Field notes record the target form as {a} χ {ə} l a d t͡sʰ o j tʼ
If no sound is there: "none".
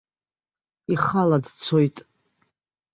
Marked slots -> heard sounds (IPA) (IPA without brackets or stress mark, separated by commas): i, a